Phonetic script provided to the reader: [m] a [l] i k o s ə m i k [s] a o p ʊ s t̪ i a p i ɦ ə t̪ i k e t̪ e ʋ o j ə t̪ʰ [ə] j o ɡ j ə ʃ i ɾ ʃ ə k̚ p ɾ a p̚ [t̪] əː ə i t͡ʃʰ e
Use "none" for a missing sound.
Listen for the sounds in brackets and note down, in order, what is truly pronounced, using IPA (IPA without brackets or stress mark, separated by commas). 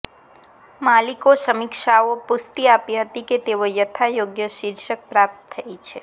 m, l, ʃ, a, t̪